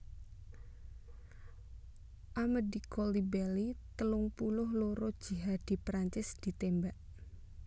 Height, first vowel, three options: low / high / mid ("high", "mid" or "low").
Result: low